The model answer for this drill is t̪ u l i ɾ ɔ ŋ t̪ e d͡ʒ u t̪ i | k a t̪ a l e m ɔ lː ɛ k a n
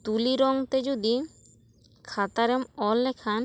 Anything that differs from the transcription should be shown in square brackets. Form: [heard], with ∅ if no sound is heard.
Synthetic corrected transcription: t̪ u l i ɾ ɔ ŋ t̪ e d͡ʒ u [d̪] i | [kʰ] a t̪ a [ɾ] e m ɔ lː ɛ [kʰ] a n

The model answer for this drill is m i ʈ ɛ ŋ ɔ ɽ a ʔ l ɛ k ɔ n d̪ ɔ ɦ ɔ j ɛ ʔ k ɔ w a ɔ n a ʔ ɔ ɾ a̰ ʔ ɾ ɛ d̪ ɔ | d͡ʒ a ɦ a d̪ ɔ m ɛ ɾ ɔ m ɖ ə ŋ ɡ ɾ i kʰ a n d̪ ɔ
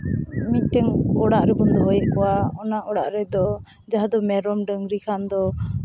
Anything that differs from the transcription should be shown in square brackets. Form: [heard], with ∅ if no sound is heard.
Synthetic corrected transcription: m i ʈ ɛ ŋ ɔ ɽ a ʔ [ɾ] ɛ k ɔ n d̪ ɔ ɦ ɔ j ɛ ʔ k ɔ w a ɔ n a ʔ ɔ [ɽ] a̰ ʔ ɾ ɛ d̪ ɔ | d͡ʒ a ɦ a d̪ ɔ m ɛ ɾ ɔ m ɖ ə ŋ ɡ ɾ i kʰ a n d̪ ɔ

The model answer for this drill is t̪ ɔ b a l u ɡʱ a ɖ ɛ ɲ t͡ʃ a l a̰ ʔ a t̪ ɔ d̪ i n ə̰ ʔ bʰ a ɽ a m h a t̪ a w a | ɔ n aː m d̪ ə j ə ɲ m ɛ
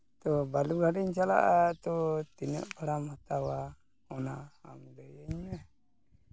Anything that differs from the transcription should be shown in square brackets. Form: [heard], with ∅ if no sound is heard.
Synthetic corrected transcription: t̪ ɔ b a l u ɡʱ a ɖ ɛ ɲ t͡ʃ a l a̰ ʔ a t̪ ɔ [t̪] i n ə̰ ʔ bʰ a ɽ a m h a t̪ a w a | ɔ n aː m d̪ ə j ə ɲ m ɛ

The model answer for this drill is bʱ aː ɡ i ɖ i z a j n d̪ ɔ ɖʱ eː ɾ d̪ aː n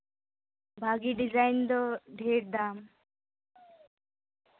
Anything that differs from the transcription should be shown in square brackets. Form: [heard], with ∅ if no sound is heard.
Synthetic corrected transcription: bʱ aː ɡ i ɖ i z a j n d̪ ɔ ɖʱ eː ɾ d̪ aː [m]

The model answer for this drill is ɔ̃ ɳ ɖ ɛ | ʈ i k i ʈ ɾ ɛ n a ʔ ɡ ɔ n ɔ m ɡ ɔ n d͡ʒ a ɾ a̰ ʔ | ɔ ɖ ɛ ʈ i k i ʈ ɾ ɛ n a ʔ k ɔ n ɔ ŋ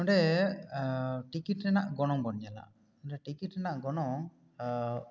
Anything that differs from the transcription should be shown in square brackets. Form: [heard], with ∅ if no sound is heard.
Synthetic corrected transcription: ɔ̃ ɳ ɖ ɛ | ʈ i k i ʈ ɾ ɛ n a ʔ ɡ ɔ n ɔ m ɡ ɔ n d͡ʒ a [l] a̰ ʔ | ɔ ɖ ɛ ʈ i k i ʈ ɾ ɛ n a ʔ [ɡ] ɔ n ɔ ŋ

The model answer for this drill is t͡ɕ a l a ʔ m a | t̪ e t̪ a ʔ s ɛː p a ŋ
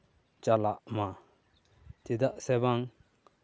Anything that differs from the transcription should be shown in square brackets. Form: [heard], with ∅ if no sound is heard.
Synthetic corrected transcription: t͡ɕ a l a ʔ m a | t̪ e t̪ a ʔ s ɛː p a ŋ

